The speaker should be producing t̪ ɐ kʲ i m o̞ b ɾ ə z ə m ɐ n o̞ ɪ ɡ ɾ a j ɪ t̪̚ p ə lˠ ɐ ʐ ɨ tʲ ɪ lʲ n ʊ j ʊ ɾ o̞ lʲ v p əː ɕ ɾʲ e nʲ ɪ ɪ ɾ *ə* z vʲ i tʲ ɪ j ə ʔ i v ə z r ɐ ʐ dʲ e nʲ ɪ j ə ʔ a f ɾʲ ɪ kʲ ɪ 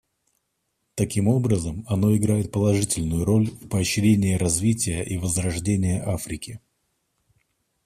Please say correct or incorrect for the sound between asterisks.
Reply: incorrect: ɐ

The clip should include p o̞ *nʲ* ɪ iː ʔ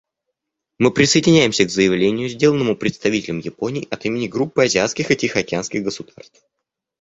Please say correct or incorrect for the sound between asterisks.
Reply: correct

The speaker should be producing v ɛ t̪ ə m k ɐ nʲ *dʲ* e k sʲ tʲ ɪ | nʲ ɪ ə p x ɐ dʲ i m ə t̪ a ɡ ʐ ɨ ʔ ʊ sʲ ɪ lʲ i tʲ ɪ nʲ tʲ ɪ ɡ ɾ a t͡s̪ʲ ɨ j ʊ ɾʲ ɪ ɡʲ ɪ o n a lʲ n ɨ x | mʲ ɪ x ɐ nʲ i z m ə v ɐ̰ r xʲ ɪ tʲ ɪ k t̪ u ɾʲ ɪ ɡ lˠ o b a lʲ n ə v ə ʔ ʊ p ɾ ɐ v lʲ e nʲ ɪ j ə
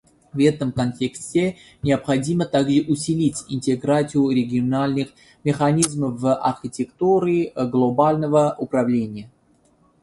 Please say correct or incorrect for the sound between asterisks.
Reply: incorrect: tʲ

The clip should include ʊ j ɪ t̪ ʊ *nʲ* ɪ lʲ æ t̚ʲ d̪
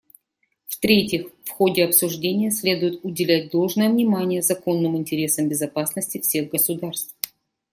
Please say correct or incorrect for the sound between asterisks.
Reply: incorrect: dʲ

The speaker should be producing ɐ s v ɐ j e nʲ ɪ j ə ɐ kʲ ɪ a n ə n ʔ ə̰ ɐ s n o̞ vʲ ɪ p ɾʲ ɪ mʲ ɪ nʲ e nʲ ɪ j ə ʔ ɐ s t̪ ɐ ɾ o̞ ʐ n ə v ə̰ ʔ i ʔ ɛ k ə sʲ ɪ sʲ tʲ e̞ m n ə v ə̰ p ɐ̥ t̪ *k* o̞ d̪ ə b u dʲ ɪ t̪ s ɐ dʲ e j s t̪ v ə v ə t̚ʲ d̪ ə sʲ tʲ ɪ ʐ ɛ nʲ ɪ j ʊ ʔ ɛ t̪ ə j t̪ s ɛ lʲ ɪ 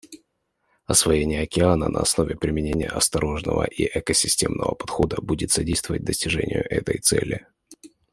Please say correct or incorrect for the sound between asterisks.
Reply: incorrect: x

